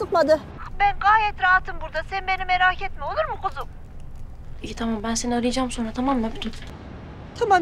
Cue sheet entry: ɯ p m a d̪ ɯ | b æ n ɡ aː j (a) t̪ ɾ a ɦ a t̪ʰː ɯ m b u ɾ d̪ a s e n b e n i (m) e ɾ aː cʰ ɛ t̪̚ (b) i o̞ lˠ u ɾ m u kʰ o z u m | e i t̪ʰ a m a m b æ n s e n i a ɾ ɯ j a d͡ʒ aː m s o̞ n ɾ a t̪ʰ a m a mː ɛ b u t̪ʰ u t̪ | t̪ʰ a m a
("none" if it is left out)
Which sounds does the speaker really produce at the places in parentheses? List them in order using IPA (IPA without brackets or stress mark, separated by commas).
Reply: ɛ, m, m